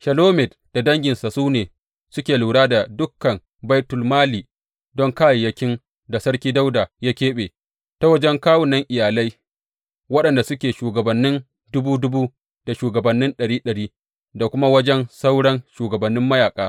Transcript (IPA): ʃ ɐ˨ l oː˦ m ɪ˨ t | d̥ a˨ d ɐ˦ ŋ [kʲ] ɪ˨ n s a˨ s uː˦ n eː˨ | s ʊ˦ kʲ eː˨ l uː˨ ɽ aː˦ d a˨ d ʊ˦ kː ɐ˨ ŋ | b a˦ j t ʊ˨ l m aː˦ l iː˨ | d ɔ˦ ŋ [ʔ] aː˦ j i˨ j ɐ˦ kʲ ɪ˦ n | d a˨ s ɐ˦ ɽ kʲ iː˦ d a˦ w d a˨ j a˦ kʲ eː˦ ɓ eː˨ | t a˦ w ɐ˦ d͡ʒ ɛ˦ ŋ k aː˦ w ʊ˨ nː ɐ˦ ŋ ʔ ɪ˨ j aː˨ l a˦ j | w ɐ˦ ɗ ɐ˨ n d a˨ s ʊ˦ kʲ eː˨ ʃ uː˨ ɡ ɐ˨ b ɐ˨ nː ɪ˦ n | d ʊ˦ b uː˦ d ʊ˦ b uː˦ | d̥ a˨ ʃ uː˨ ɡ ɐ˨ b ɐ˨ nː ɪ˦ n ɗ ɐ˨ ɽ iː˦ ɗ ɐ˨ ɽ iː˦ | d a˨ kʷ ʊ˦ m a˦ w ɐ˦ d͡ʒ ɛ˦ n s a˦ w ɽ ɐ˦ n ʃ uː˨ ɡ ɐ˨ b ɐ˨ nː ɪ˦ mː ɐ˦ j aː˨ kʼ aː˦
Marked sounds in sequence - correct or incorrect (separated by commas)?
incorrect, incorrect